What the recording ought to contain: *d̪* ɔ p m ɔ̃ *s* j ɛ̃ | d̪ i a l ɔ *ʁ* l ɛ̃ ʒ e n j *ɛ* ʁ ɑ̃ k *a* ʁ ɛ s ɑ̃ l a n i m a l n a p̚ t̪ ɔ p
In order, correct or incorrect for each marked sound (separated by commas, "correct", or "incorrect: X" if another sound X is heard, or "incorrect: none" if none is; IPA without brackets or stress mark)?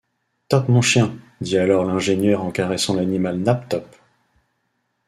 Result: incorrect: t̪, incorrect: ʃ, correct, incorrect: œ, correct